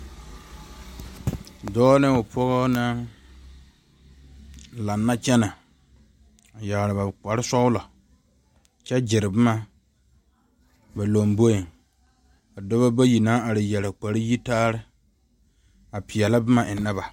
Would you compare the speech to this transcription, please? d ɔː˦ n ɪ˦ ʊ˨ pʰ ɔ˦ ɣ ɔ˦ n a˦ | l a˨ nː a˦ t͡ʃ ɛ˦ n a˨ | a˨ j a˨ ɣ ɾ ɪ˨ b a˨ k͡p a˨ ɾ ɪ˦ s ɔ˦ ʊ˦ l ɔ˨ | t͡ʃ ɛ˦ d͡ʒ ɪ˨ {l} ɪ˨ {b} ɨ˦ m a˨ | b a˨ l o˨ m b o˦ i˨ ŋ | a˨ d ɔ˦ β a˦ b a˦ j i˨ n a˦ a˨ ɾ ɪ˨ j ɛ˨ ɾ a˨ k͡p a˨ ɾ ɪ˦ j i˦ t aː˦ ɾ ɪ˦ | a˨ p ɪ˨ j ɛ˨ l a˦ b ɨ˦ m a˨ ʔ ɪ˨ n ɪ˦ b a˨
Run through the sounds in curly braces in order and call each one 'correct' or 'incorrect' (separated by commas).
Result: incorrect, correct